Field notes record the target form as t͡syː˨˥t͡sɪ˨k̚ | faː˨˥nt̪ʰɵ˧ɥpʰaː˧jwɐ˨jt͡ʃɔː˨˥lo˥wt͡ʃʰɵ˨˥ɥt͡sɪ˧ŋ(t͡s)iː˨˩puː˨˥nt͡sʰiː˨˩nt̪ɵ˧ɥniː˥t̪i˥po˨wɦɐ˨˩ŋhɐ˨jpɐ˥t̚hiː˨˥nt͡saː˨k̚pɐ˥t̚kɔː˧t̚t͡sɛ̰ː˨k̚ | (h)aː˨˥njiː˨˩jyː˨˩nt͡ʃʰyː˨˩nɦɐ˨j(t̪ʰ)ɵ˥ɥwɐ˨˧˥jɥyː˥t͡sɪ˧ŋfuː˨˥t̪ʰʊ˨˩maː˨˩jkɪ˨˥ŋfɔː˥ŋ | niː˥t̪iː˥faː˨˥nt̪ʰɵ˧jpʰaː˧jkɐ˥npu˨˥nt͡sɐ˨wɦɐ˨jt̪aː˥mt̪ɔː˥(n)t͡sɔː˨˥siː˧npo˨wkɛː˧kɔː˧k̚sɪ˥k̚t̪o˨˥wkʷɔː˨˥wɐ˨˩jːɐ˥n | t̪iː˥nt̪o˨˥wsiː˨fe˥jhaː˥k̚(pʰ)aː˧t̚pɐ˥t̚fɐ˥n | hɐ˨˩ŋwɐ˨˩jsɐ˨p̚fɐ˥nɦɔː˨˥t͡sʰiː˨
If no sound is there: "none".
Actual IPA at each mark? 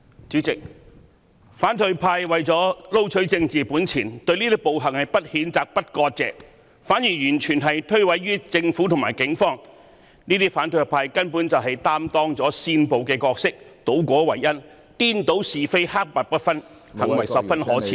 t͡s, f, t̪ʰ, ŋ, p

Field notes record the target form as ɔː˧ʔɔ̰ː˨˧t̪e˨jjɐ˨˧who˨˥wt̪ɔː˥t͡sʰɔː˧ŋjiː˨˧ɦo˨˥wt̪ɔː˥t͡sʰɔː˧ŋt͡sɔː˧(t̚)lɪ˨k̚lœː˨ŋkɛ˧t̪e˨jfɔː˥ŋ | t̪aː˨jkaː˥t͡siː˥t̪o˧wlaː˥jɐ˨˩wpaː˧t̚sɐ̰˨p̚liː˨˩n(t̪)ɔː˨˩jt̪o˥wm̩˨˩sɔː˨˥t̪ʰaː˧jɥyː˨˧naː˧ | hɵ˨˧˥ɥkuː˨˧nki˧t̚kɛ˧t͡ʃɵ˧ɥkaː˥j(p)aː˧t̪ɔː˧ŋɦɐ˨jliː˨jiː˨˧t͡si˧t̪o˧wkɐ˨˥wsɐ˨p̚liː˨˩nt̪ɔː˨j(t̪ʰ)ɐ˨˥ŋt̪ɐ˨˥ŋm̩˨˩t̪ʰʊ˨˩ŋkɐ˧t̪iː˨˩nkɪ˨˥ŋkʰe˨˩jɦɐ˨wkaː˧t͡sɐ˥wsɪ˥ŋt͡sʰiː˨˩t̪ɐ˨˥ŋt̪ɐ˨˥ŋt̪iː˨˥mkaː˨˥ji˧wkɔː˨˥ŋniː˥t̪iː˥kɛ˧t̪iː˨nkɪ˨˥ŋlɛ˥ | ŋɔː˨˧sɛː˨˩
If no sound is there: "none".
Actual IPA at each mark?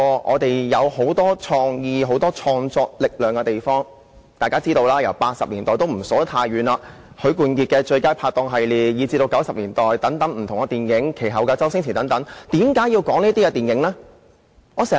k̚, t̪, pʰ, t̪

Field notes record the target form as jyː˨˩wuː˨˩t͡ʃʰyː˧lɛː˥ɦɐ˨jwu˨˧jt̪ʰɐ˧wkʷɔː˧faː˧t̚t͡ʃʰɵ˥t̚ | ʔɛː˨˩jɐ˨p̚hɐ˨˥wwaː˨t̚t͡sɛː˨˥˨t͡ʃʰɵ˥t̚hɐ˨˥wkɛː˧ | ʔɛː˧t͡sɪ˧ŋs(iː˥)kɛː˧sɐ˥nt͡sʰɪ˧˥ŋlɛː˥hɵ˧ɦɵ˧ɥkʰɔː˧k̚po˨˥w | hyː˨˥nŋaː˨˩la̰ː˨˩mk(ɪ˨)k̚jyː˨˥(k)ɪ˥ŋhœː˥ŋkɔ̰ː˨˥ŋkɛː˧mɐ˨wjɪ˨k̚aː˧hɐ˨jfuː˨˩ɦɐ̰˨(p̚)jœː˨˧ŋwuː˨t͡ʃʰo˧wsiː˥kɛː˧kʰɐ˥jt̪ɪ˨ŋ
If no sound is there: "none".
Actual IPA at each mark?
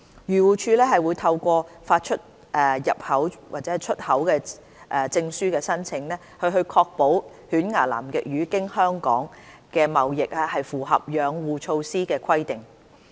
yː˥, ɪ˨, k, p̚

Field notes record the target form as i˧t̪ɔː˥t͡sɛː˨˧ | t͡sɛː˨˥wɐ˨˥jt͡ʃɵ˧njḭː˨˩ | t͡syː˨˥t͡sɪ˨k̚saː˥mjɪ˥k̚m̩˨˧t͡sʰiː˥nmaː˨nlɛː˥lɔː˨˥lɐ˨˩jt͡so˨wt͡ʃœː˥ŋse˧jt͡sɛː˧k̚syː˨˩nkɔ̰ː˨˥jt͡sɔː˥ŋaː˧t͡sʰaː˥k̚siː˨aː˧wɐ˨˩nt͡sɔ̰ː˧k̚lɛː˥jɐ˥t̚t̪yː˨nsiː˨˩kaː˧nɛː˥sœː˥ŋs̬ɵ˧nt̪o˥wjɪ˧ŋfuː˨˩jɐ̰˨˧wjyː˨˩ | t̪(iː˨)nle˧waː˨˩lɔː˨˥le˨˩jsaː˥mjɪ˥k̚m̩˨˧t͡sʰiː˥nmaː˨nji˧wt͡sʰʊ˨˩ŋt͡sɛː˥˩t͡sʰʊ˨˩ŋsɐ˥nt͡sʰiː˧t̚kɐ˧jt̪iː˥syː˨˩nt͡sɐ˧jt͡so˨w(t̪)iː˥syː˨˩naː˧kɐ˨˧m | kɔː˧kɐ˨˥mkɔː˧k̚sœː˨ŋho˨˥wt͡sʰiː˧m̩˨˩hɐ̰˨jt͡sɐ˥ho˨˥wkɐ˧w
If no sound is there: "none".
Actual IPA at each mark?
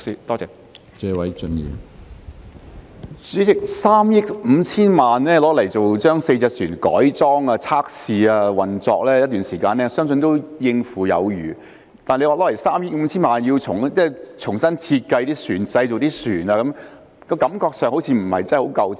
aː˨, t̪

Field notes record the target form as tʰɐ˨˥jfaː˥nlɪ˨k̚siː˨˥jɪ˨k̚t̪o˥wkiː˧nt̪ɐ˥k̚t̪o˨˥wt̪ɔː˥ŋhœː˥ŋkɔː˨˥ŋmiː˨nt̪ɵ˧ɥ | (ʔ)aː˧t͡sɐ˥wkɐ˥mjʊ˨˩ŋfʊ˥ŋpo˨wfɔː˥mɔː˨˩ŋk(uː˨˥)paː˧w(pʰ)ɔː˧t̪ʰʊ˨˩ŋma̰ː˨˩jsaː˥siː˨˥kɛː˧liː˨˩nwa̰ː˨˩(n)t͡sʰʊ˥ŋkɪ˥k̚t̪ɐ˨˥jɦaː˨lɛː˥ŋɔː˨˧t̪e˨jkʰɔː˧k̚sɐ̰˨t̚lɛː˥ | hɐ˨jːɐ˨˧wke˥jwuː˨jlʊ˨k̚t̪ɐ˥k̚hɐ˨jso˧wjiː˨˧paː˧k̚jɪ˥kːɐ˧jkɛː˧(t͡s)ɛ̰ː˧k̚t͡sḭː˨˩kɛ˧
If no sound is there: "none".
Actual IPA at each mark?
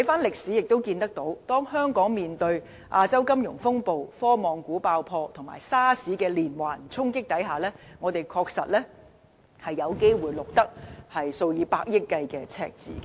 ʔ, uː˨˥, pʰ, n, t͡sʰ

